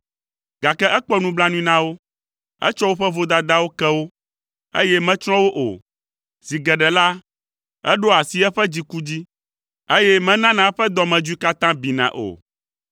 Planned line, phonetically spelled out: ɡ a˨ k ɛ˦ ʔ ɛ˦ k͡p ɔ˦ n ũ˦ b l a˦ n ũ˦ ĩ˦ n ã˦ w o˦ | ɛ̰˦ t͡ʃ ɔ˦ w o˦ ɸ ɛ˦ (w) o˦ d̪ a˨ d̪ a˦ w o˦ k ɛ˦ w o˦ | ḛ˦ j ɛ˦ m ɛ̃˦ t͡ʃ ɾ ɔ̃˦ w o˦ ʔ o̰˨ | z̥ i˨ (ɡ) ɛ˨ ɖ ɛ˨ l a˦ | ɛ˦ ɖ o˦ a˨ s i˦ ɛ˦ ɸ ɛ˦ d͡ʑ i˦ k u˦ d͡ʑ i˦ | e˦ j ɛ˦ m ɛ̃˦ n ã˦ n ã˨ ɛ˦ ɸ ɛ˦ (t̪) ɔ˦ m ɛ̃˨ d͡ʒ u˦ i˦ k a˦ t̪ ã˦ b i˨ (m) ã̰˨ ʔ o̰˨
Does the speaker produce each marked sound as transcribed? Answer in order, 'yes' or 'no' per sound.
no, yes, no, no

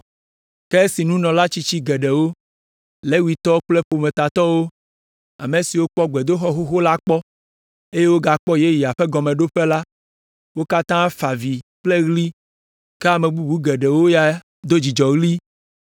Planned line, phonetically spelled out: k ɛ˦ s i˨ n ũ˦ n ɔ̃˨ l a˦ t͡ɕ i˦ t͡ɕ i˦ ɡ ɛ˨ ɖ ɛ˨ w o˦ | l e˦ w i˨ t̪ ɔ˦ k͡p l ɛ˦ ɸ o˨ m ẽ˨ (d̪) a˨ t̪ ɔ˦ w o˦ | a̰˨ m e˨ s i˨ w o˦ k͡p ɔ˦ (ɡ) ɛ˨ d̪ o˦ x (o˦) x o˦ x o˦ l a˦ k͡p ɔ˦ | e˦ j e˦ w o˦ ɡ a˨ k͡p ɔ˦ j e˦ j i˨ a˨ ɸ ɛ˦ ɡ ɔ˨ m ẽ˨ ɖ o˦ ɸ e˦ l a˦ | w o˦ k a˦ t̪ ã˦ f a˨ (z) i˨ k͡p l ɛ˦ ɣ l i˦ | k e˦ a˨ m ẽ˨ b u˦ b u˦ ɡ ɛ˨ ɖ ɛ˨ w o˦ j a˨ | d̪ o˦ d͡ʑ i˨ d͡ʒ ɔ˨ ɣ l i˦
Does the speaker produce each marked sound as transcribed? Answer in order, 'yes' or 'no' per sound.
no, no, no, no

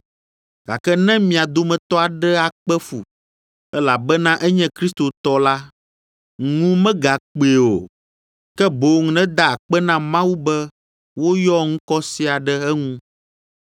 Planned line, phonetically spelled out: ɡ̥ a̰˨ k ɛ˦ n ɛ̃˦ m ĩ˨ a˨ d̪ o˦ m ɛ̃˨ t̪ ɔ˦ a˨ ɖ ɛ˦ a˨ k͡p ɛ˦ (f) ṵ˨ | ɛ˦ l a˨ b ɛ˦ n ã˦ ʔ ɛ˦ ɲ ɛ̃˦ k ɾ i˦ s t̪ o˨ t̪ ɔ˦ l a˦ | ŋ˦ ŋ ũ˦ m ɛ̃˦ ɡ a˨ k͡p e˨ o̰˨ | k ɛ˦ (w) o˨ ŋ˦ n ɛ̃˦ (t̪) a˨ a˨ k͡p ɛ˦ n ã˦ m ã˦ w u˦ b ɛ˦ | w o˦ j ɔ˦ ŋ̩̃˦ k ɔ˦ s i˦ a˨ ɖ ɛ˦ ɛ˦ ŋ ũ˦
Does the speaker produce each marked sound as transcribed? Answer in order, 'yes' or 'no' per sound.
yes, no, no

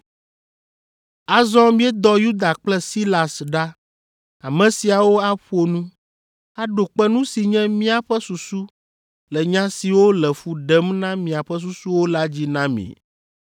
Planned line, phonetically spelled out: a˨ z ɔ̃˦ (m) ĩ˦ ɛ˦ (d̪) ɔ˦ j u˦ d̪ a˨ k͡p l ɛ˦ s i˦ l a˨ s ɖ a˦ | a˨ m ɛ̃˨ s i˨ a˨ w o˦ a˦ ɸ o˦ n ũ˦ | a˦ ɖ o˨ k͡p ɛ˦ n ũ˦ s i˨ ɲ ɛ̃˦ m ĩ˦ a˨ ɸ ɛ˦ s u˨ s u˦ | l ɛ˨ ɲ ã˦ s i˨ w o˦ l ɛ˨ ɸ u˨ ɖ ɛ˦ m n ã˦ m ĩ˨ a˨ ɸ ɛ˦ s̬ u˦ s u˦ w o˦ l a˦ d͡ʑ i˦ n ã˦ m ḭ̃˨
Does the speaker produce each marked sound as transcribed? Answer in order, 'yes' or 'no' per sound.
yes, yes

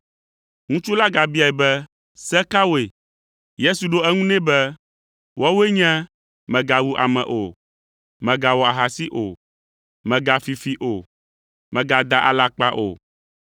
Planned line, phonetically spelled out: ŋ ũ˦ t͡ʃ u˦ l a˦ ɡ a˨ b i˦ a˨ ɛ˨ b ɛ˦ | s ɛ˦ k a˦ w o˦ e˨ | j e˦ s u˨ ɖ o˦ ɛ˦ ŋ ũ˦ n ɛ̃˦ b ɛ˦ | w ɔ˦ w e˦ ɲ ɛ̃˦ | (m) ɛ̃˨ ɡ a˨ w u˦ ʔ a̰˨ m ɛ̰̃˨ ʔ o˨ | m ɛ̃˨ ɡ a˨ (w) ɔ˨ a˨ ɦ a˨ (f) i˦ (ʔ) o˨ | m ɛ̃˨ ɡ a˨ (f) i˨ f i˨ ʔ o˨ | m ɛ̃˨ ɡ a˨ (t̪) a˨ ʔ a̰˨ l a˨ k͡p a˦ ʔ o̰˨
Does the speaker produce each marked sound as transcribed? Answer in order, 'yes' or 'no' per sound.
yes, yes, no, yes, yes, no

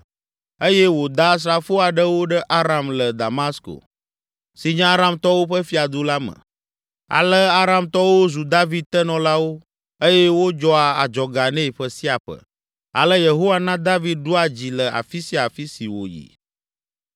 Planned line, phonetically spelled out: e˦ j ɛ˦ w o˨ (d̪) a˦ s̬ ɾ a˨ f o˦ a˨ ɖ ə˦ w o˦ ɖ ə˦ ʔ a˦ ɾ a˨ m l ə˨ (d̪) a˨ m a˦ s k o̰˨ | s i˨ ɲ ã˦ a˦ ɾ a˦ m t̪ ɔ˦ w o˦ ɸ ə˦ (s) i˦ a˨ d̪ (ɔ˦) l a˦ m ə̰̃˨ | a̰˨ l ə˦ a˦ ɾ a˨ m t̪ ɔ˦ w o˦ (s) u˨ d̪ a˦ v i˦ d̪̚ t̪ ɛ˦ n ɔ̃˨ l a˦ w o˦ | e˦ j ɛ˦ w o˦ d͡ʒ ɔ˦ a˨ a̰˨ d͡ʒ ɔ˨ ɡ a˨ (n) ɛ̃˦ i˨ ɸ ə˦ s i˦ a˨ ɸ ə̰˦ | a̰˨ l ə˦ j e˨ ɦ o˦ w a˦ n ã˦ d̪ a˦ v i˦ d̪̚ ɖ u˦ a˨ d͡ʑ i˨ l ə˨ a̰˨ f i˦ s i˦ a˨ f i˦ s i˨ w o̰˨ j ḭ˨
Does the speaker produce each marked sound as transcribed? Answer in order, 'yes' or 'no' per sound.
yes, yes, no, no, no, yes

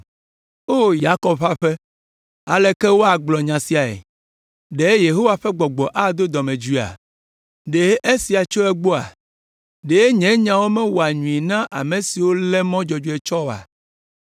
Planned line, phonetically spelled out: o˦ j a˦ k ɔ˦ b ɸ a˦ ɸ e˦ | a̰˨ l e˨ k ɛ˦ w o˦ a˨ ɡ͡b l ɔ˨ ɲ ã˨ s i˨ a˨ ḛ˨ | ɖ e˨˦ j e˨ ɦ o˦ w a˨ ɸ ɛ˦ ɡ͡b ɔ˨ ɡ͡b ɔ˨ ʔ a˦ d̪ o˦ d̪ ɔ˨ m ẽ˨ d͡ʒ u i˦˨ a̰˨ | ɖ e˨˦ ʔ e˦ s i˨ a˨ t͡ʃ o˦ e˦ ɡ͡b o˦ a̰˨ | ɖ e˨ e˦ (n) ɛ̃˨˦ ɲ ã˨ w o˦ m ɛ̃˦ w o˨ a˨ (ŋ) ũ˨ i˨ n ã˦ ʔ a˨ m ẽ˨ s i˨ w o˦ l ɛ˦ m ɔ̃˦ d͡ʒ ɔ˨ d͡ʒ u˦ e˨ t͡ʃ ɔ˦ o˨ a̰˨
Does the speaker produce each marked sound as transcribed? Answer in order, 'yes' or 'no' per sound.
no, no

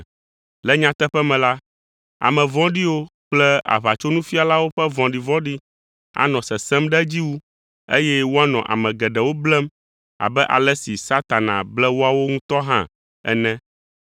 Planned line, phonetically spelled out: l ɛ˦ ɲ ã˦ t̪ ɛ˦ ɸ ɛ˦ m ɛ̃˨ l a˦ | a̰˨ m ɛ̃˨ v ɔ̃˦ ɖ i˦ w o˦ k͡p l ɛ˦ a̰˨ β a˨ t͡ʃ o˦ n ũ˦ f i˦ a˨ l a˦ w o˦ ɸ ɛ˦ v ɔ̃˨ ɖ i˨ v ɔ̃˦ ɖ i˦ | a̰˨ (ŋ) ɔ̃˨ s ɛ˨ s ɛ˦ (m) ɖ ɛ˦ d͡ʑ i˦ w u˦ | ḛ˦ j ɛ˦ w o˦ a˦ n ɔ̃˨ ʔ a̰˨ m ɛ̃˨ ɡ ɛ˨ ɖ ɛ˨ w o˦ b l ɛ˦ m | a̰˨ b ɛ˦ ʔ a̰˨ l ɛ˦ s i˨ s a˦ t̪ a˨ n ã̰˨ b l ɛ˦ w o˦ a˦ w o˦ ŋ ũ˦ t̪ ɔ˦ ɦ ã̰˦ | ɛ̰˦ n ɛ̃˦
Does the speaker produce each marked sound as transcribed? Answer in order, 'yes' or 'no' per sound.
no, yes

